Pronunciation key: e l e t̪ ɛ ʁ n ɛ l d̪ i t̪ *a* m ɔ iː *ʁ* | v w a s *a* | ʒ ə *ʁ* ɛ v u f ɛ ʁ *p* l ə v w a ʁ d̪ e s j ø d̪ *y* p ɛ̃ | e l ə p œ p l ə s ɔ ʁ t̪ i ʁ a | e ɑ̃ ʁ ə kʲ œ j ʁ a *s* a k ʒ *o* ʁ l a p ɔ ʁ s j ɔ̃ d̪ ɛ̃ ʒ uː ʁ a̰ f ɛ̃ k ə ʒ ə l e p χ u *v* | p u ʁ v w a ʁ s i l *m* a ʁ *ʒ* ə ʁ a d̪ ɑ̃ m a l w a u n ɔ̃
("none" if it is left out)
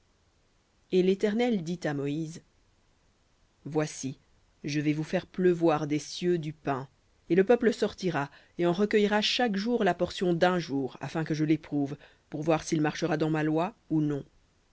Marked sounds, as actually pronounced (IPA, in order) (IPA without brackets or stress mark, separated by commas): a, z, i, v, p, y, ʃ, u, v, m, ʃ